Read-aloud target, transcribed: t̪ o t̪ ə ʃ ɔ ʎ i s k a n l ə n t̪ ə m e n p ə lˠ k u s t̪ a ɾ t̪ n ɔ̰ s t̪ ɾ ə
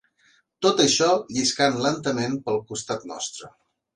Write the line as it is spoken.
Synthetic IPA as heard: t̪ o t̪ ə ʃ ɔ ʎ i s k a n l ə n t̪ ə m e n p ə lˠ k u s t̪ a t̪ n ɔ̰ s t̪ ɾ ə

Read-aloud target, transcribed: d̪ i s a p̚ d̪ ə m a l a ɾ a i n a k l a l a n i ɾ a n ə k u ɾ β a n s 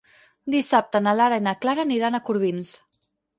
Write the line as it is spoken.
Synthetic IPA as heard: d̪ i s a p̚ t̪ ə n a l a ɾ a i n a k l a ɾ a n i ɾ a n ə k u ɾ β i n s

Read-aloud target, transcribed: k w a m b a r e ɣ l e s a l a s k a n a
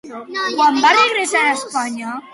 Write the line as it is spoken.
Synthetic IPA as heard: k w a m b a r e ɣ ɾ e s a ɾ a s p a ɲ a

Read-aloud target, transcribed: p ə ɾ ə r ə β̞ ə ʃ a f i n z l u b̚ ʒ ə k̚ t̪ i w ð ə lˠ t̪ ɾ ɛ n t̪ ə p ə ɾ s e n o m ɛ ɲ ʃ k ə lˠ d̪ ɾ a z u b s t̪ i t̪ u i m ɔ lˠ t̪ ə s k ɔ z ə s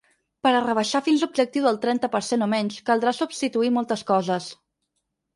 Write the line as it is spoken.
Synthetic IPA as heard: p ə ɾ ə r ə β̞ ə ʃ a f i n z l u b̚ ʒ ə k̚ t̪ i w ð ə lˠ t̪ ɾ ɛ n t̪ ə p ə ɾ s e n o m ɛ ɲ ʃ k ə lˠ d̪ ɾ a s u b s t̪ i t̪ u i m ɔ lˠ t̪ ə s k ɔ z ə s

